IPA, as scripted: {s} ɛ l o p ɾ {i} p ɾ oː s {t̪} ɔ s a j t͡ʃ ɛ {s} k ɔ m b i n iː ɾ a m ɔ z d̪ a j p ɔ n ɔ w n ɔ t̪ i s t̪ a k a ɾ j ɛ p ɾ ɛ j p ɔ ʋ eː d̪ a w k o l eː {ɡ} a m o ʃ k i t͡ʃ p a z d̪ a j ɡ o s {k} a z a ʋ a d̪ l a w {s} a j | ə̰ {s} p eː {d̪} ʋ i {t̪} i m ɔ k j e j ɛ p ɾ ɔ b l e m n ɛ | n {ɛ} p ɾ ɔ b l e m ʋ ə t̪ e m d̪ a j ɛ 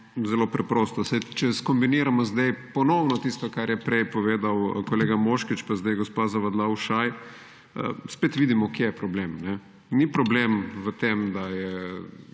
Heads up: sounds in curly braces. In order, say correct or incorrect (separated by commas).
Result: incorrect, incorrect, correct, correct, correct, incorrect, incorrect, correct, incorrect, incorrect, incorrect